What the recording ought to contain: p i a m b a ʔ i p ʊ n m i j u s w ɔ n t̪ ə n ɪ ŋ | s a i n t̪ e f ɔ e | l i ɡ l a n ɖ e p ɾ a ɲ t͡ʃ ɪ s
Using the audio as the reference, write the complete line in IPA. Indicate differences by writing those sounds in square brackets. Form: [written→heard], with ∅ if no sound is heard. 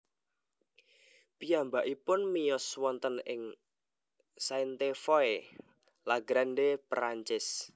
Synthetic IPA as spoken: p i a m b a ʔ i p ʊ n m i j [u→ɔ] s w ɔ n t̪ ə n ɪ ŋ | s a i n t̪ e f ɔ e | l [i→a] ɡ [l→ɾ] a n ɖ e p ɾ a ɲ t͡ʃ ɪ s